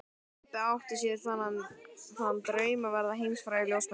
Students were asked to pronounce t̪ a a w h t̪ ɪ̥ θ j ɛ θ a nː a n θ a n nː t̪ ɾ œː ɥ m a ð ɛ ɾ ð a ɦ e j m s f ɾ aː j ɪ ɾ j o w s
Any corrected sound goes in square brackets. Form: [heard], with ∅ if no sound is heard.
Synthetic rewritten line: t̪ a a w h t̪ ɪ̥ [s] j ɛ θ a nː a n θ a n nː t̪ ɾ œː ɥ m a [v] ɛ ɾ ð a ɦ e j m s f ɾ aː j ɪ [l] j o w s